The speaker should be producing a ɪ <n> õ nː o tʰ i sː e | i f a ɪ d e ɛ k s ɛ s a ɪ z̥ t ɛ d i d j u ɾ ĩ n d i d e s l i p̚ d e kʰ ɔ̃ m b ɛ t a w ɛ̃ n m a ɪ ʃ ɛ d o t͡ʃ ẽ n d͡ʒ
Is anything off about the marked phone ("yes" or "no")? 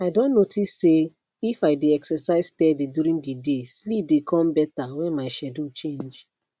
yes